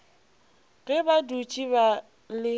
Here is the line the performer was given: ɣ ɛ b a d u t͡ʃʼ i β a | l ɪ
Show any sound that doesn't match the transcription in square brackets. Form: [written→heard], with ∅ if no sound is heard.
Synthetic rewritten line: ɣ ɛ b a d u t͡ʃʼ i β a | l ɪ

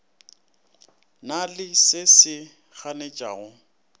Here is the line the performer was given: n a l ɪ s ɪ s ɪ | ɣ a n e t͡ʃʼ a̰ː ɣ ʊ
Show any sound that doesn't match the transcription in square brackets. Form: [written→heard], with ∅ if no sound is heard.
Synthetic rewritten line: n a l ɪ s ɪ s ɪ | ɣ a n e t͡ʃʼ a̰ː ɣ ʊ

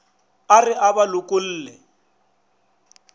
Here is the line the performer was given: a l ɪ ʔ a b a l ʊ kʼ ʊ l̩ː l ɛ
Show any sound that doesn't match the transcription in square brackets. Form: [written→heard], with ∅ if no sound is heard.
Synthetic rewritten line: a [l→r] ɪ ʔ a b a l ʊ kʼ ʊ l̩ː l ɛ

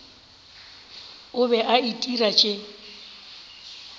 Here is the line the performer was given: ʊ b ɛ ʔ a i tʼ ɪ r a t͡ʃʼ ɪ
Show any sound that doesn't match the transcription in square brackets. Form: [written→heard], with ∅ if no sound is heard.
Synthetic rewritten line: ʊ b ɛ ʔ a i tʼ [ɪ→i] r a t͡ʃʼ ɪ

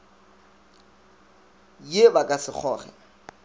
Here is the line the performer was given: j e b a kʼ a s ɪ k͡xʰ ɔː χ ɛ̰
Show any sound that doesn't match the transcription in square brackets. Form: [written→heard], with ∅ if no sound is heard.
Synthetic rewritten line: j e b a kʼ a s ɪ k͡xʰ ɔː χ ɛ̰

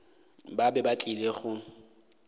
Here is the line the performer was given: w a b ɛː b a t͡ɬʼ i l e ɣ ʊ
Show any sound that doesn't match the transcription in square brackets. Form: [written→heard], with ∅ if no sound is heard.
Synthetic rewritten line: [w→b] a b [ɛː→ɛ] b a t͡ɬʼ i l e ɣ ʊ

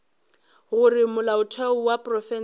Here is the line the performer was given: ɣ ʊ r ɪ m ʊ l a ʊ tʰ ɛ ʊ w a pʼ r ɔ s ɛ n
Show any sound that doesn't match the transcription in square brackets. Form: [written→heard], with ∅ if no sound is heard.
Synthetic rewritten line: ɣ ʊ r ɪ m ʊ l a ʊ tʰ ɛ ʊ w a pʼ r ɔ [s→f] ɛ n

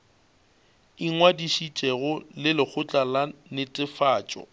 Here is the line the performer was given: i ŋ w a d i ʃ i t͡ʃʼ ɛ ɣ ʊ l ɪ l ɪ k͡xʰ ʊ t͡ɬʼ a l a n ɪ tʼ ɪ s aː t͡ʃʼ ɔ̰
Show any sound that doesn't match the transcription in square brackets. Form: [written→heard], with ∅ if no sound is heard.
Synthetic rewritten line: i ŋ w a d i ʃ i t͡ʃʼ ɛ ɣ ʊ l ɪ l ɪ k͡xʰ ʊ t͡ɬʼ a l a n ɪ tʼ ɪ [s→f] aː t͡ʃʼ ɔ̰

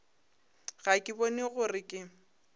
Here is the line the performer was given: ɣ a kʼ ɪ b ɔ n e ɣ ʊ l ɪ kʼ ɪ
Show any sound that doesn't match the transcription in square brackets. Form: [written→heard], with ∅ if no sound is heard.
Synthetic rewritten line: ɣ a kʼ ɪ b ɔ n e ɣ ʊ [l→r] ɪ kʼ ɪ

